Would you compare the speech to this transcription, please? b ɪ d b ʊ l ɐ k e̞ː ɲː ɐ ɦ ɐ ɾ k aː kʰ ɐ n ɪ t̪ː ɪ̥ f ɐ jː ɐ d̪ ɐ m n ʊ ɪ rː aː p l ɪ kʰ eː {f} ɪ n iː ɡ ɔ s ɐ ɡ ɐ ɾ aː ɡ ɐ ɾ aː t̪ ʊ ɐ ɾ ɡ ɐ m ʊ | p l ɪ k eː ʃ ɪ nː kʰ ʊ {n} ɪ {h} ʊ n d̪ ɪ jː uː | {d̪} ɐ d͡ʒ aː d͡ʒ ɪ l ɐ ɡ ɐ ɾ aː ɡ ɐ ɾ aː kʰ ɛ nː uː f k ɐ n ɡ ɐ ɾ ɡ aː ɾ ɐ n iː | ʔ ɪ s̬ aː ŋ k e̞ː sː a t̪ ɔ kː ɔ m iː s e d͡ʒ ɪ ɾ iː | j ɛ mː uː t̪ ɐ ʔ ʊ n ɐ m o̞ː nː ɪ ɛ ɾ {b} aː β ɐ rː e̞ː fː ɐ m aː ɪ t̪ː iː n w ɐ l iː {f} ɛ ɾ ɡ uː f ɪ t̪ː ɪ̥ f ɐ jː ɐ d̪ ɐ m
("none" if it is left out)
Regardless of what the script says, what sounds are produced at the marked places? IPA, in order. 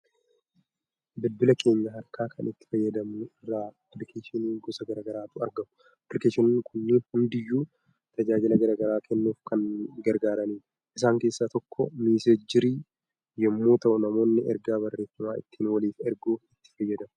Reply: ʃ, nː, h, t̪, ɡ, f

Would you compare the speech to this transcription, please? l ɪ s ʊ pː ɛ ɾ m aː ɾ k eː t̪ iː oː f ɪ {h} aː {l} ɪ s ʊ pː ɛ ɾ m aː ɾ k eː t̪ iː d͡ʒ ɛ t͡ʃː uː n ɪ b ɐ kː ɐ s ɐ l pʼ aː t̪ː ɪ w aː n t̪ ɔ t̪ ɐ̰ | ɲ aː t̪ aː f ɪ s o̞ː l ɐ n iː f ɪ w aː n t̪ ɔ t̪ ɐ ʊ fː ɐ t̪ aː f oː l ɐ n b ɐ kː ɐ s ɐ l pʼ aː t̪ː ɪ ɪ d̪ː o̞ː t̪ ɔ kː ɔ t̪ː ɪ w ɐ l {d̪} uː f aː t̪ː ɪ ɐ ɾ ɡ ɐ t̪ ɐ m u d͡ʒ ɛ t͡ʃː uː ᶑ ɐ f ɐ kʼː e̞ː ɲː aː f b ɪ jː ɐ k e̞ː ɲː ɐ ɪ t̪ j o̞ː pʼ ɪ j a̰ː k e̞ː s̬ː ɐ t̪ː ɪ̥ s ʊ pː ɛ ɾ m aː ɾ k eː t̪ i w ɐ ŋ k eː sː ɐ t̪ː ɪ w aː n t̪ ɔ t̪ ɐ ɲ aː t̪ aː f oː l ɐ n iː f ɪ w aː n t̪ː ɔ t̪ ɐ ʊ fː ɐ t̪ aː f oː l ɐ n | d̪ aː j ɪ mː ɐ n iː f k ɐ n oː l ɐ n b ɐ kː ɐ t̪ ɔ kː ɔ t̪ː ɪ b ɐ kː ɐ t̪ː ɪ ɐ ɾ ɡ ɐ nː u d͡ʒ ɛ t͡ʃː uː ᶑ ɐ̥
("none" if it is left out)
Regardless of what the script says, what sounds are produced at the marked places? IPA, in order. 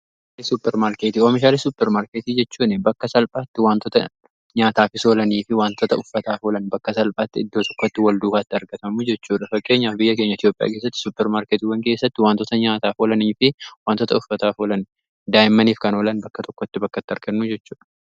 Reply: ʃ, l, d̪

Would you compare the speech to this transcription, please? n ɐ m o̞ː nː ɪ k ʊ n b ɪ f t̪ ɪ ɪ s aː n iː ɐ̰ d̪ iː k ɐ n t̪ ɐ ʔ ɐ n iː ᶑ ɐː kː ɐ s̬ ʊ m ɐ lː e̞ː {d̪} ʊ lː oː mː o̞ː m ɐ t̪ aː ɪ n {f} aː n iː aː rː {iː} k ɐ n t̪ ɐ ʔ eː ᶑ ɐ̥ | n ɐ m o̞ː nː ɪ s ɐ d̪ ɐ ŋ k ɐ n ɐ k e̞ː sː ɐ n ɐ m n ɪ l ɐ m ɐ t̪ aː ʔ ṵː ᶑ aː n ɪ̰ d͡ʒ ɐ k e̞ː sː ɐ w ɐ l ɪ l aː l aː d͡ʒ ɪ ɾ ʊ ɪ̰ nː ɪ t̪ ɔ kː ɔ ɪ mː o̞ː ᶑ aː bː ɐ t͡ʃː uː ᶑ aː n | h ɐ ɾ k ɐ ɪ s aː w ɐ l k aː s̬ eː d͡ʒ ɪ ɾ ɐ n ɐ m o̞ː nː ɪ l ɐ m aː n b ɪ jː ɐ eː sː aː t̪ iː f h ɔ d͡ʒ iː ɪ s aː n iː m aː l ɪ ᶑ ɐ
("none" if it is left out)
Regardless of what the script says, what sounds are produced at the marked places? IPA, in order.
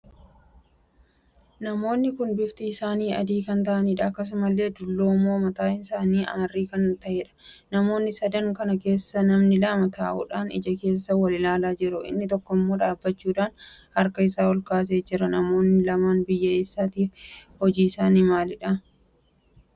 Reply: d̪, s, iː

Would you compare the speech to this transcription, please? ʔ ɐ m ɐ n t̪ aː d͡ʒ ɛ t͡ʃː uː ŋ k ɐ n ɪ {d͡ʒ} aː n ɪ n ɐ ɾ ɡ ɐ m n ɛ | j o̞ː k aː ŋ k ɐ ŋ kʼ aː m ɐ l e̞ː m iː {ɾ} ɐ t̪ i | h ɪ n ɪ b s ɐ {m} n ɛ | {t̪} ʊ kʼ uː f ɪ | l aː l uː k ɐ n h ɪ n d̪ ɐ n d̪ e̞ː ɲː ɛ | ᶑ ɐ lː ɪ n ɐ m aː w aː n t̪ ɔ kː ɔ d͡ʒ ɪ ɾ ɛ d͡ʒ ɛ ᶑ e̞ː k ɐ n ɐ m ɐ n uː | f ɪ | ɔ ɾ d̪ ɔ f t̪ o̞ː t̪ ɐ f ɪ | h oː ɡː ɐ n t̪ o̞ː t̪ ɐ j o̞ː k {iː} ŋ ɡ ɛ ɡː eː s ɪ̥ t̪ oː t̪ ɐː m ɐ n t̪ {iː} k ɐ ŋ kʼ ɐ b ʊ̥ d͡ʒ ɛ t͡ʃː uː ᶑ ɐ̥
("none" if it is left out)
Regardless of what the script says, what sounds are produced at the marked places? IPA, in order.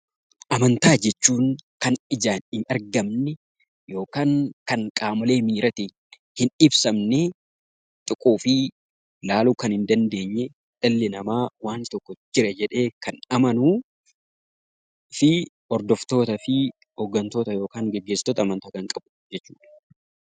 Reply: d͡ʒ, ɾ, m, t̪ʼ, aː, aː

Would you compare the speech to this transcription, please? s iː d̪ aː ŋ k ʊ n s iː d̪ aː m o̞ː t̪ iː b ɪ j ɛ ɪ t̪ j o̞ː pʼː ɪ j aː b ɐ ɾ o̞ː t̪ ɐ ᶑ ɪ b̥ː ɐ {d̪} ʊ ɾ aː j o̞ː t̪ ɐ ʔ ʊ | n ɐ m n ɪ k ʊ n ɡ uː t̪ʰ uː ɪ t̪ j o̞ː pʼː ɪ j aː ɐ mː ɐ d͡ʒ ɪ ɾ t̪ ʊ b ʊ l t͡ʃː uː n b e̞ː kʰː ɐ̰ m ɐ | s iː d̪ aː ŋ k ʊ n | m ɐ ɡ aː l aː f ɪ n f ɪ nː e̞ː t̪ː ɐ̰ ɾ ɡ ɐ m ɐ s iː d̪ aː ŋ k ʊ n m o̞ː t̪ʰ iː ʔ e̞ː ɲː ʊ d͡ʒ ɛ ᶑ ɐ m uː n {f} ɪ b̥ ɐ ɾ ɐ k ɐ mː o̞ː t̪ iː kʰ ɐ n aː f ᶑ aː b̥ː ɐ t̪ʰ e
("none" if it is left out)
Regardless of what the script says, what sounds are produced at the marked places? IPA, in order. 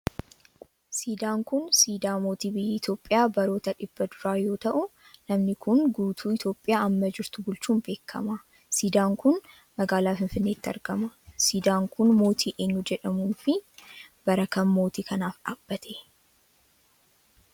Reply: d̪, f

